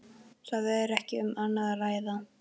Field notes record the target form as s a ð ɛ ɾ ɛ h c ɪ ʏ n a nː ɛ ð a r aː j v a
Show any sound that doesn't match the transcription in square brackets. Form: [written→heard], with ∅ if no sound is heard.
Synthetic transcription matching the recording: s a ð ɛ ɾ ɛ h c ɪ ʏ [n→m] a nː [ɛ→a] ð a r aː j [v→ð] a